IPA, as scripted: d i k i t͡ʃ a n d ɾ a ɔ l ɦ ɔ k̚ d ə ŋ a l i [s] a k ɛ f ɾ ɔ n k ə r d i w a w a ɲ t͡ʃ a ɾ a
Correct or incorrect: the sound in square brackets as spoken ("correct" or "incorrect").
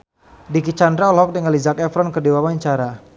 incorrect